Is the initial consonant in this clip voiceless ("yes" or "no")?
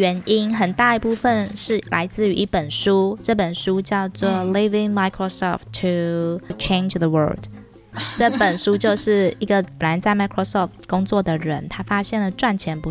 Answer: no